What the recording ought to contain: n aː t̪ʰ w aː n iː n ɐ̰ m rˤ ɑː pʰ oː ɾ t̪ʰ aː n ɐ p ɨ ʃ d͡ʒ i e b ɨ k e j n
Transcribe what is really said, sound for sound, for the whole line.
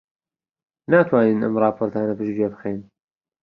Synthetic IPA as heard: n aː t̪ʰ w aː n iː n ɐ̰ m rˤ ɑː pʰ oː ɾ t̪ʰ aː n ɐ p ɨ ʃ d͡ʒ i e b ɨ x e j n